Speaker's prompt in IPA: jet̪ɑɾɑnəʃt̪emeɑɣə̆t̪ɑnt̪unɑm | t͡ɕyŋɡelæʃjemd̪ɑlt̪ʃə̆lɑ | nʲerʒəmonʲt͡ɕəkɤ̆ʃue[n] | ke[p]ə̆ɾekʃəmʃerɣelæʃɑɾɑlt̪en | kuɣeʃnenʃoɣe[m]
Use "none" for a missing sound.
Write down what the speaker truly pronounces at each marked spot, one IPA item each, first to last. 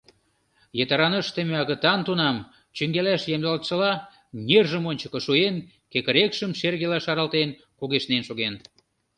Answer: n, k, n

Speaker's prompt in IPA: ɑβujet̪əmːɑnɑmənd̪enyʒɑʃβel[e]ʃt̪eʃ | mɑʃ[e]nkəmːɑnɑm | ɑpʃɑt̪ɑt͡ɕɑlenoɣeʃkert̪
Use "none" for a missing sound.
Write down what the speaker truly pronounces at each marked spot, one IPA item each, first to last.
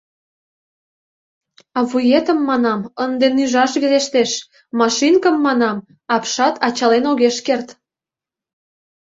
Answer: e, i

